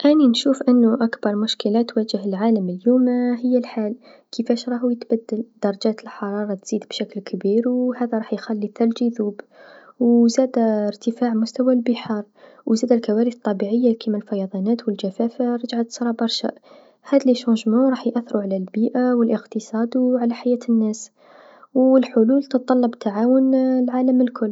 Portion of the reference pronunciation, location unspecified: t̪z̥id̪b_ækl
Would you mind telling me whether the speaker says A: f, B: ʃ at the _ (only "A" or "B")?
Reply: B